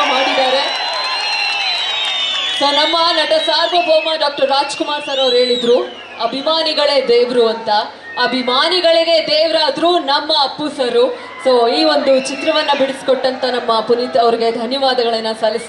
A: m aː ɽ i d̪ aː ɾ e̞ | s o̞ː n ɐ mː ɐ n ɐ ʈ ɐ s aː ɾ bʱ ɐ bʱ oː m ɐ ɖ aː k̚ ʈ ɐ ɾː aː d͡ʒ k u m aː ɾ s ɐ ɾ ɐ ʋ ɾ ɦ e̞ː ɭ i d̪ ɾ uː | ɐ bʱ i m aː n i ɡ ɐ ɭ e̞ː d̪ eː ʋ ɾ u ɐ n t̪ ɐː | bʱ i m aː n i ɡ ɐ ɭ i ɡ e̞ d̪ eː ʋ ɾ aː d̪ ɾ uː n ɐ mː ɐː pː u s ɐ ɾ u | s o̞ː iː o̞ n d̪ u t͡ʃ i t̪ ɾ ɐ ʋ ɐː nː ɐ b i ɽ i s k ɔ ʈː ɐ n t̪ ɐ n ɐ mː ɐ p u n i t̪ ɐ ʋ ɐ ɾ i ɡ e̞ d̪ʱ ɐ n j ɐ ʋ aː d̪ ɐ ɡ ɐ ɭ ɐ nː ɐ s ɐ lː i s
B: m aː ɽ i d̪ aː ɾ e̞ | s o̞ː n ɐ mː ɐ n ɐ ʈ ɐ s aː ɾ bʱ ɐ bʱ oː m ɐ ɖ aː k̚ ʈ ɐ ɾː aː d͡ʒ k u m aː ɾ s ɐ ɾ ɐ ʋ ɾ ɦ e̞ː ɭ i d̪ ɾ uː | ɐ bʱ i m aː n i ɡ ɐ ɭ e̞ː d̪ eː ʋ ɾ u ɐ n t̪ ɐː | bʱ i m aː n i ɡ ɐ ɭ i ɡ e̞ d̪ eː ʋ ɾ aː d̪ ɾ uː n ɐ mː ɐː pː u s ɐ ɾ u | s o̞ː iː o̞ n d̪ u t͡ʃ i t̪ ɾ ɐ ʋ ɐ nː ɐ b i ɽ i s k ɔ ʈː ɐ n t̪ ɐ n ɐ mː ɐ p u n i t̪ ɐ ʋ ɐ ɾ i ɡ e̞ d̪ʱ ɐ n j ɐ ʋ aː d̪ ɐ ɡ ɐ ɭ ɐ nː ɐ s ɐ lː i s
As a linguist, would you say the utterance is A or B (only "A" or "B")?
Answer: B